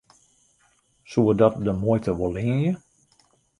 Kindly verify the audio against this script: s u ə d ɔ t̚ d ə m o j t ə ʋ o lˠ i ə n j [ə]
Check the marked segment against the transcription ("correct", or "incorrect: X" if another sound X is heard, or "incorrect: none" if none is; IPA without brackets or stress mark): correct